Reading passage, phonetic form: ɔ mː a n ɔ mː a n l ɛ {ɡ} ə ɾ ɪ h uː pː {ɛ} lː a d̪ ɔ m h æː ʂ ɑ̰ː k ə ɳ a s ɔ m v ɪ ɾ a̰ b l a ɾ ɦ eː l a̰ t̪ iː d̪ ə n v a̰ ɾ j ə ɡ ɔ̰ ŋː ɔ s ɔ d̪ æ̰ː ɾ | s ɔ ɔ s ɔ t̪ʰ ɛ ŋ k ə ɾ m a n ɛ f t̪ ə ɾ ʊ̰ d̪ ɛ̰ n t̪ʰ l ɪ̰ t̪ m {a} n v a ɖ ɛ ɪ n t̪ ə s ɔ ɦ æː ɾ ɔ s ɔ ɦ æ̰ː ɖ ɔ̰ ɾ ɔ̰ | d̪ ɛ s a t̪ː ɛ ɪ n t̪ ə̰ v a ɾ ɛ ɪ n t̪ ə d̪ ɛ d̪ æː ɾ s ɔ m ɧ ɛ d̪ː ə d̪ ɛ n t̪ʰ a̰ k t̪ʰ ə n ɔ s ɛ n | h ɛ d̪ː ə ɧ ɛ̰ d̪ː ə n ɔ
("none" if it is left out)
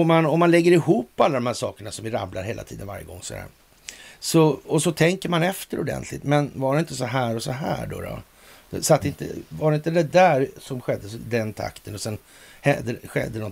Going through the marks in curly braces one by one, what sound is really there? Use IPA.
ɡː, a, ɛ

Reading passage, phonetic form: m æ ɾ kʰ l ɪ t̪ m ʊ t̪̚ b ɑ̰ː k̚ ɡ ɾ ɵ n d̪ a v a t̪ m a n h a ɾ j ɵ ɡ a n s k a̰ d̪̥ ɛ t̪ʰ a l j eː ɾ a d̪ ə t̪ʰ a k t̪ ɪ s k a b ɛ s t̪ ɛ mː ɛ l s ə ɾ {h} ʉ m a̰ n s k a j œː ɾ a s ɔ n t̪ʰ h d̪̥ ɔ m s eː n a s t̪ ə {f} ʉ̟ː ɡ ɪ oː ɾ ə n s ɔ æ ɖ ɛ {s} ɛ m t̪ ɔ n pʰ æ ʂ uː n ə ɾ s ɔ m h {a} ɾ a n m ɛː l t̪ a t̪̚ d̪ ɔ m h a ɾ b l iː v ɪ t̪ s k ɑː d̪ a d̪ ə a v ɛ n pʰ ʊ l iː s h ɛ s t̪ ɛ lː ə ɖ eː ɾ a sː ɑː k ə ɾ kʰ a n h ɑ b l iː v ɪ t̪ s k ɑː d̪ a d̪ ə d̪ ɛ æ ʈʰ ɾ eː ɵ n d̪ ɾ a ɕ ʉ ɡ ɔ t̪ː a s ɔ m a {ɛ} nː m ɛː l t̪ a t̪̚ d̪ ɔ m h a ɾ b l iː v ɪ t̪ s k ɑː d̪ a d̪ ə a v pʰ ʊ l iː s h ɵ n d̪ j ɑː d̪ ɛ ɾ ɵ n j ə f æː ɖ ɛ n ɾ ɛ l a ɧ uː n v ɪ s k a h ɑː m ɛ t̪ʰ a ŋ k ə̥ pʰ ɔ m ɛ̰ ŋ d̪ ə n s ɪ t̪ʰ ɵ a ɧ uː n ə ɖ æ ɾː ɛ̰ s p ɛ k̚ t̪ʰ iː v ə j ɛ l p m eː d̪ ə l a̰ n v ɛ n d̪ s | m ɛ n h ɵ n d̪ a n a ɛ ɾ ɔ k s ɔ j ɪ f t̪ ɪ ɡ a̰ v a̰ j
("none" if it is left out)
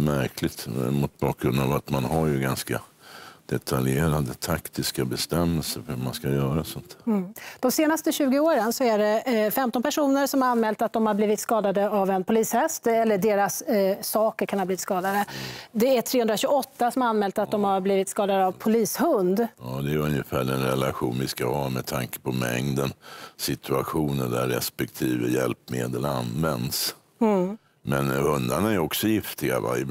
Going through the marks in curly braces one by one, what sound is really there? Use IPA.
h, ɕ, f, a, a

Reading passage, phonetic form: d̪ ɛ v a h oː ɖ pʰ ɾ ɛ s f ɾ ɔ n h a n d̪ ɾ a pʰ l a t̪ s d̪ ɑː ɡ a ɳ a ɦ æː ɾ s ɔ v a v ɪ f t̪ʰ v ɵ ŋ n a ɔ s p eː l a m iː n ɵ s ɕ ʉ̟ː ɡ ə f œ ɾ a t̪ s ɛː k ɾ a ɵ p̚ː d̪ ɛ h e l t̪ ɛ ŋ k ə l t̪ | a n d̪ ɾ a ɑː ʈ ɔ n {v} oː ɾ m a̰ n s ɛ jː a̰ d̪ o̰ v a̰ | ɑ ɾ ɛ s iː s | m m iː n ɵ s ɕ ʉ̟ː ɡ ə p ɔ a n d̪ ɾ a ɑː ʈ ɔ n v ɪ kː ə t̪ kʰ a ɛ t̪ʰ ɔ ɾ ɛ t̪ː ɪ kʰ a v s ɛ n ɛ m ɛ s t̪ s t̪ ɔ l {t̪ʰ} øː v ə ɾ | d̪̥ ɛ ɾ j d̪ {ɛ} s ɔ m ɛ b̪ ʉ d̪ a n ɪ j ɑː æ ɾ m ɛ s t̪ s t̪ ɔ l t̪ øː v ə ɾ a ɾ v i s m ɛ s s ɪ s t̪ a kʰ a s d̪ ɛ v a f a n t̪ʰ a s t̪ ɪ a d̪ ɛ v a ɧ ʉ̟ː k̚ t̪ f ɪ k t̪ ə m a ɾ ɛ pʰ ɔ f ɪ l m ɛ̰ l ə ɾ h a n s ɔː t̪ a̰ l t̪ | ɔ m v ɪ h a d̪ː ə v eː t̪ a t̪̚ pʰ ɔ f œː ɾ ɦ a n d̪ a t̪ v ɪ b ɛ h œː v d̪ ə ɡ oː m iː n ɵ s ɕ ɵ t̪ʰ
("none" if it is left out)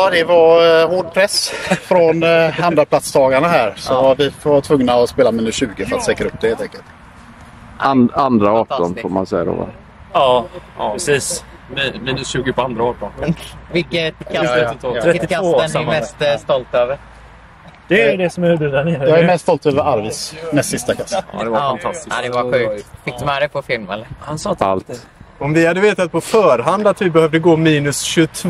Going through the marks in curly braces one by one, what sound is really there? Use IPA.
f, t̪, ɛ

